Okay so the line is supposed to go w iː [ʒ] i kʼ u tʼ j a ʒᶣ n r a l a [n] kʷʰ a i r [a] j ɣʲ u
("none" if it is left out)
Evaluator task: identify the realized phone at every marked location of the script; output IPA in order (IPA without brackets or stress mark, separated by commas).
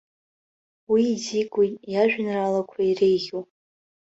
z, none, e